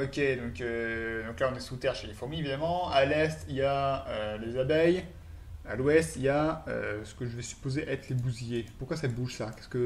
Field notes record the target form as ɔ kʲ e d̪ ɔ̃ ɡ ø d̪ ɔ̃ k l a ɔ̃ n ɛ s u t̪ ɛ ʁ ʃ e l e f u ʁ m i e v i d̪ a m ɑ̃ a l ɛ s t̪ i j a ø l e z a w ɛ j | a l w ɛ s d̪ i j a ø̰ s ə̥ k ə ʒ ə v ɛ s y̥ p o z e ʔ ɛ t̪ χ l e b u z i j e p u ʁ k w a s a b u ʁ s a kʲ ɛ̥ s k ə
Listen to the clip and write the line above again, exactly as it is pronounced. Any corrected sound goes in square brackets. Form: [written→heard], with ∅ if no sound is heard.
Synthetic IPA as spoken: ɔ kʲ e d̪ ɔ̃ [ɡ→k] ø d̪ ɔ̃ k l a ɔ̃ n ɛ s u t̪ ɛ ʁ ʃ e l e f u ʁ m i e v i d̪ a m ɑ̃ a l ɛ s t̪ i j a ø l e z a [w→b] ɛ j | a l w ɛ s [d̪→t̪] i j a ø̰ s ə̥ k ə ʒ ə v ɛ s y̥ p o z e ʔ ɛ t̪ χ l e b u z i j e p u ʁ k w a s a b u [ʁ→ʒ] s a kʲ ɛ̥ s k ə